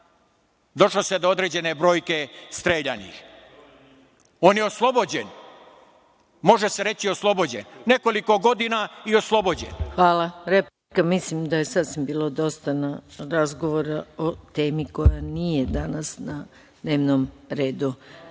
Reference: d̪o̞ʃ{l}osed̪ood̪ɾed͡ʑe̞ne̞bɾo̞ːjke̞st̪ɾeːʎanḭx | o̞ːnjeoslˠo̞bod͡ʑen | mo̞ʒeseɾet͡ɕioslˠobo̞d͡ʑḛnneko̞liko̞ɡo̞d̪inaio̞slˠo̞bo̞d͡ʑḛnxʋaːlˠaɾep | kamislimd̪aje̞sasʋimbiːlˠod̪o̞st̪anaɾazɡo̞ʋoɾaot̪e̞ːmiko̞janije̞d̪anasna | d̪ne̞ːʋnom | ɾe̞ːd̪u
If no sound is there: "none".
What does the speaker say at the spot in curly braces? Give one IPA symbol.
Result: l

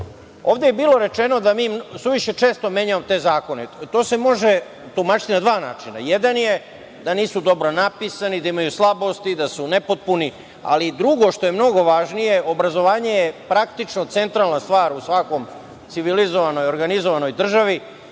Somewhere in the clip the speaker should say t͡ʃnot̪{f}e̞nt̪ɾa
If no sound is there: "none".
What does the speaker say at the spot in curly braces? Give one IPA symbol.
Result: s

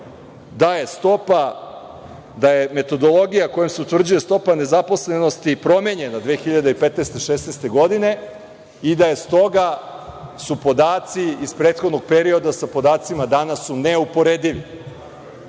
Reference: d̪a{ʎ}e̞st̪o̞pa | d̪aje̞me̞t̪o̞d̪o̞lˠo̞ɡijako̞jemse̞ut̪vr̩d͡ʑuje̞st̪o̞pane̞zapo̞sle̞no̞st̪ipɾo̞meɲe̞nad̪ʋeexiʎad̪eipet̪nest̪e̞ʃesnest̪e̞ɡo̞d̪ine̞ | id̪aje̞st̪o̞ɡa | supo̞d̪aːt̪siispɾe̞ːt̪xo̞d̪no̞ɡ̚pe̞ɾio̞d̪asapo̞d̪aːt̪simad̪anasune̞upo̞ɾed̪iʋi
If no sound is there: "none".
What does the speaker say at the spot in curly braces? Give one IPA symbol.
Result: j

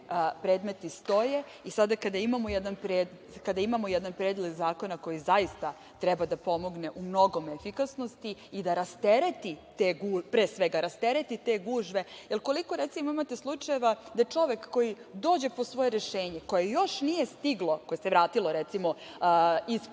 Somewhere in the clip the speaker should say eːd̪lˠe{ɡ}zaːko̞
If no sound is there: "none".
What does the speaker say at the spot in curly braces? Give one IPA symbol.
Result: ɡ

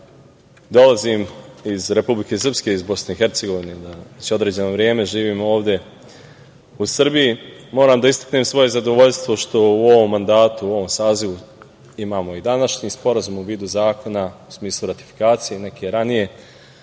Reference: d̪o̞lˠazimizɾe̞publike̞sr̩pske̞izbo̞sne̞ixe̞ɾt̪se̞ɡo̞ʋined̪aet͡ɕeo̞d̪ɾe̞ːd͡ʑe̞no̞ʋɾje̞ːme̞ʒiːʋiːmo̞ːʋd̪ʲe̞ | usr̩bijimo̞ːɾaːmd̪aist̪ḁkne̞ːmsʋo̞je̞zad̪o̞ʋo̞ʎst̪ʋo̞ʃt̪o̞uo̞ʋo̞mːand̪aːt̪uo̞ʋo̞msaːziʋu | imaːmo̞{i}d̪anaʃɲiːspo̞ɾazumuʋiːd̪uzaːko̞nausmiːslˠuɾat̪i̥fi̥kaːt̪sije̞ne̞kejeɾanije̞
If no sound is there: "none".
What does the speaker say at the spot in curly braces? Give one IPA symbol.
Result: i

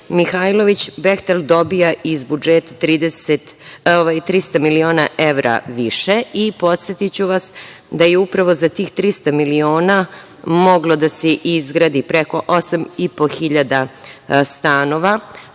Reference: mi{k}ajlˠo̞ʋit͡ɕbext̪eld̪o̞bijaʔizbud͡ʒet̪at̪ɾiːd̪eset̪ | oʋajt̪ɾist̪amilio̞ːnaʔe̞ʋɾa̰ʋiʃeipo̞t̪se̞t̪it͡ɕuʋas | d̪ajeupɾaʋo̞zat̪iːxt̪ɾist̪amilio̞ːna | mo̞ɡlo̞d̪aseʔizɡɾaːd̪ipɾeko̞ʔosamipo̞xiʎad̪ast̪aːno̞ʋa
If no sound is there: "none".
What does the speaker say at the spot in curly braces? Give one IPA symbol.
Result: x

